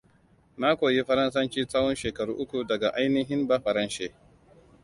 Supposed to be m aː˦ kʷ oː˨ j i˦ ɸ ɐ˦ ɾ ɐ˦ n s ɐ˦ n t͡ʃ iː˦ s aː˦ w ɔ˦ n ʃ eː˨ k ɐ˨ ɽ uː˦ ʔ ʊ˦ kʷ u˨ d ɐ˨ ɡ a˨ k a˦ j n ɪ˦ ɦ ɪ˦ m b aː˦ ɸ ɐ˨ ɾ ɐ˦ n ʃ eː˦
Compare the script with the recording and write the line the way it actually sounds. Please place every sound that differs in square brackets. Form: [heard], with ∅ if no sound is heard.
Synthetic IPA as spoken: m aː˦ kʷ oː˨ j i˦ ɸ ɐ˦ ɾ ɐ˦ n s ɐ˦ n t͡ʃ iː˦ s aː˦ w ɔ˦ n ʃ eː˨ k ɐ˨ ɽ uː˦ ʔ ʊ˦ kʷ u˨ d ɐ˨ ɡ a˨ [ʔ] a˦ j n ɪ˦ ɦ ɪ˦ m b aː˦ ɸ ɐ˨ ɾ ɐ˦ n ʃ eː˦